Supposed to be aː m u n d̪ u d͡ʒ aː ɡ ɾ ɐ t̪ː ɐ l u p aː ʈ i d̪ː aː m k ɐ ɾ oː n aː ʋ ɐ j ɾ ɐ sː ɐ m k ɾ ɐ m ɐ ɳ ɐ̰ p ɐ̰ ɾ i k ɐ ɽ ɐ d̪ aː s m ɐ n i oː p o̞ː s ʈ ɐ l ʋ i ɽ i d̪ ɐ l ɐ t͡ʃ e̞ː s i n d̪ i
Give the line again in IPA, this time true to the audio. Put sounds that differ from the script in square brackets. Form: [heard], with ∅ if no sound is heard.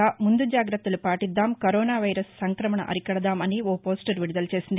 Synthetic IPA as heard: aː m u n d̪ u d͡ʒ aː ɡ ɾ ɐ t̪ː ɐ l u p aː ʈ i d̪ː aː m k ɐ ɾ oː n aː ʋ ɐ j ɾ ɐ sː ɐ [ŋ] k ɾ ɐ m ɐ ɳ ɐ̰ [ʔ] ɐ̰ ɾ i k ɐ ɽ ɐ d̪ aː [∅] m ɐ n i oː p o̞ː s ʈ ɐ [ɾ] ʋ i ɽ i d̪ ɐ l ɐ t͡ʃ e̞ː s i n d̪ i